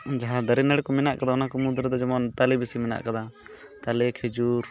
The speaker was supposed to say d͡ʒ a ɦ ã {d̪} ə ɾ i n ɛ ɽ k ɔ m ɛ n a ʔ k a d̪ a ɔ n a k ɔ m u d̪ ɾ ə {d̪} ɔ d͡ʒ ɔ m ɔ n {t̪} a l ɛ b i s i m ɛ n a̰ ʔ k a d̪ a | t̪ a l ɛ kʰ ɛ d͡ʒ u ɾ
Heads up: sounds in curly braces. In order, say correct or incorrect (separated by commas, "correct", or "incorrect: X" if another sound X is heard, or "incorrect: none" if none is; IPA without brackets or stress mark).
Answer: correct, correct, correct